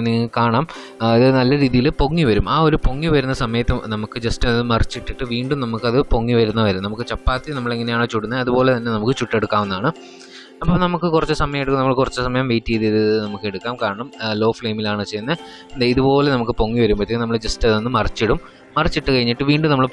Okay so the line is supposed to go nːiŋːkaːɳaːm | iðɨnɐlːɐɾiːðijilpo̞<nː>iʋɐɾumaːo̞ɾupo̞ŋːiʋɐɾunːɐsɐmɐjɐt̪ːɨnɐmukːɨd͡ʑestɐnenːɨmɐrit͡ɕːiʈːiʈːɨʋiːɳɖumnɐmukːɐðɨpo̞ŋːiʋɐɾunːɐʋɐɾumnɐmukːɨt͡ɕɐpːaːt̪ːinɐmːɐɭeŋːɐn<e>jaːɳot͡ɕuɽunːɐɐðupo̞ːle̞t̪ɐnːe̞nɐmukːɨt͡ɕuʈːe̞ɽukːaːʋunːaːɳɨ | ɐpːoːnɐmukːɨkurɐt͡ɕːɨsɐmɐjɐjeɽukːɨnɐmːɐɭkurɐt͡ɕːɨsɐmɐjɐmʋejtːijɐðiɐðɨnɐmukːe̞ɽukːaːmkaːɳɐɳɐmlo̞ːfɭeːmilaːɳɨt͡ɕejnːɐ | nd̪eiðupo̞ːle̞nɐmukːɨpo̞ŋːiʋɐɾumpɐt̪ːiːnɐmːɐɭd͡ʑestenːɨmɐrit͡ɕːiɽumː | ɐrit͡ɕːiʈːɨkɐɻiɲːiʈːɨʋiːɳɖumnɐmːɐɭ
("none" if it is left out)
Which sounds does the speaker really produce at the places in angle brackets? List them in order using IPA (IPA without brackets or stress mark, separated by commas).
ŋː, e